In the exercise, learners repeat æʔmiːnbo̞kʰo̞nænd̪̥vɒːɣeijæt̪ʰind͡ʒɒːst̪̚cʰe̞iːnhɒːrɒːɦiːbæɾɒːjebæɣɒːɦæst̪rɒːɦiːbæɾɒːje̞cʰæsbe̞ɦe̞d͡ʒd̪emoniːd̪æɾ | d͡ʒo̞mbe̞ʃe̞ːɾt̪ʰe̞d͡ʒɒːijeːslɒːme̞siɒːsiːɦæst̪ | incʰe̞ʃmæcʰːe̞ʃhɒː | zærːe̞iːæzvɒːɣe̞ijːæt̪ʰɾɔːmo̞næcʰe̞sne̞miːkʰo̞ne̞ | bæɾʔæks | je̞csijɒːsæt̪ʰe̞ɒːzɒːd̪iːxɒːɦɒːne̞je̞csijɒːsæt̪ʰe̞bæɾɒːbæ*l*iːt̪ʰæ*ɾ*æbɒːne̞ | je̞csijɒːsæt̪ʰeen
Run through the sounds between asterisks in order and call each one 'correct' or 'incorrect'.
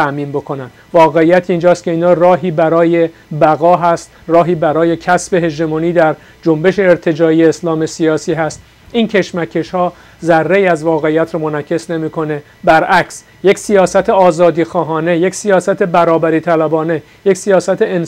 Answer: incorrect: ɾ, incorrect: l

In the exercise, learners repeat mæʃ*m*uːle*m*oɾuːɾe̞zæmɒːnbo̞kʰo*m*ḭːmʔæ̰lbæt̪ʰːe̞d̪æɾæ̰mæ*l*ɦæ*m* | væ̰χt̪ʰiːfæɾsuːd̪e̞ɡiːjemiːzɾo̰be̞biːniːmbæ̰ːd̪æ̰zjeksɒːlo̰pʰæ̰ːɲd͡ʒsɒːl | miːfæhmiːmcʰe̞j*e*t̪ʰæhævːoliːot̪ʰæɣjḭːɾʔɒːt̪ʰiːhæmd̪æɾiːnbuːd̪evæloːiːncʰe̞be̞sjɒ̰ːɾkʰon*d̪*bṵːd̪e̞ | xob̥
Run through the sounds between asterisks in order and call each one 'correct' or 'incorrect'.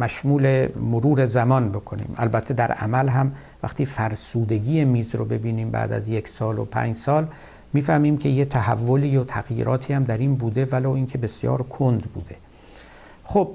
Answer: correct, correct, incorrect: n, correct, correct, correct, correct

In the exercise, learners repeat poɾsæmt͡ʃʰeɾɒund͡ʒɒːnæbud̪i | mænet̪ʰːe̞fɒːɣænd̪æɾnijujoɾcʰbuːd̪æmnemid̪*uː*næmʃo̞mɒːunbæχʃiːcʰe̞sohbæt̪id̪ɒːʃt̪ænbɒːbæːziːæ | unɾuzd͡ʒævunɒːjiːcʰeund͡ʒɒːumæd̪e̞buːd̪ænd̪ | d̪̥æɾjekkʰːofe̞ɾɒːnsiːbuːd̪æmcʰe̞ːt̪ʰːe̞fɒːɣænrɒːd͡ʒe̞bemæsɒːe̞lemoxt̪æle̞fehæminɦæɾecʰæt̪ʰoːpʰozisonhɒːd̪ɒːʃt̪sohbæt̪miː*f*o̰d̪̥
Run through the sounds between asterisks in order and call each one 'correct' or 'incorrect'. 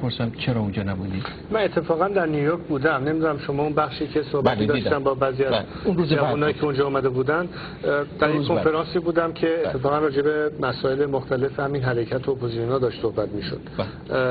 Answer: incorrect: u, incorrect: ʃ

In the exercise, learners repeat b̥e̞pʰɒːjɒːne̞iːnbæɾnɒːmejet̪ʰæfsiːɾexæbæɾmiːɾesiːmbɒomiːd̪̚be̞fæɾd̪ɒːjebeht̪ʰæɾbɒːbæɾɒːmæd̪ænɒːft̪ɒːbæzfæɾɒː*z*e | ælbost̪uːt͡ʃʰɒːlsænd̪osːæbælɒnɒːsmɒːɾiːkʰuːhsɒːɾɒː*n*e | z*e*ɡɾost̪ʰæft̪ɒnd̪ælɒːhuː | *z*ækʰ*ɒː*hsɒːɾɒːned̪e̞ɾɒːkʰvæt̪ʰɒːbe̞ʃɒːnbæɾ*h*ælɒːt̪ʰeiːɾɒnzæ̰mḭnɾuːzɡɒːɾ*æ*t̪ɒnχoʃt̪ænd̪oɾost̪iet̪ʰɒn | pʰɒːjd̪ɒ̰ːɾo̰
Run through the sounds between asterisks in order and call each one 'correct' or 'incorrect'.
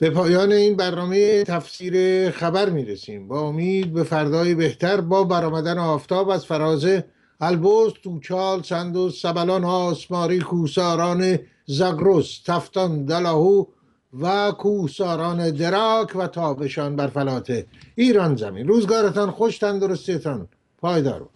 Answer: correct, correct, incorrect: æ, incorrect: v, incorrect: uː, incorrect: f, incorrect: e

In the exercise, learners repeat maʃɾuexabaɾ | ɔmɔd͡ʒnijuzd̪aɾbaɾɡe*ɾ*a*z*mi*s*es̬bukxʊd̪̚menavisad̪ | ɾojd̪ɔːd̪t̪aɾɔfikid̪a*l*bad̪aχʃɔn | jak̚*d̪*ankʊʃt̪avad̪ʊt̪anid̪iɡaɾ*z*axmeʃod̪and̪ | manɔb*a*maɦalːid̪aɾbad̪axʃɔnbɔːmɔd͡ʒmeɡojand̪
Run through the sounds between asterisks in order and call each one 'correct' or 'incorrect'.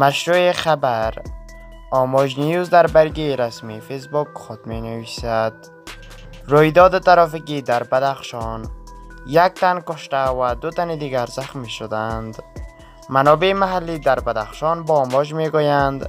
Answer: correct, incorrect: s, incorrect: f, incorrect: ɾ, incorrect: t̪, correct, incorrect: e

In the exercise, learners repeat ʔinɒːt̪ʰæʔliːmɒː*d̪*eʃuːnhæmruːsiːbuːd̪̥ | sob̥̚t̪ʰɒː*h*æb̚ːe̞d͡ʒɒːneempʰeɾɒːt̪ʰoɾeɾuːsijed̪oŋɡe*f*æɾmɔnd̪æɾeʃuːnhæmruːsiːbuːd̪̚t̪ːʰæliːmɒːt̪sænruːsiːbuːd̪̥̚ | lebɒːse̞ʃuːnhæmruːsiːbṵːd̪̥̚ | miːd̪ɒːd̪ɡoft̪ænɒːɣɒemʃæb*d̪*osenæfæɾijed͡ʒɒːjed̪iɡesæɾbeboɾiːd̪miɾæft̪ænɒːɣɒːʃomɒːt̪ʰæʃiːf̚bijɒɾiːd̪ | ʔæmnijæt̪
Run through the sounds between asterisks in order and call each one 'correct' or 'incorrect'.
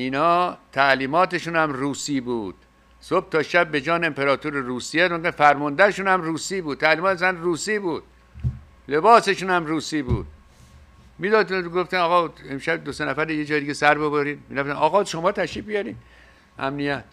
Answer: incorrect: t̪, incorrect: ʃ, correct, correct

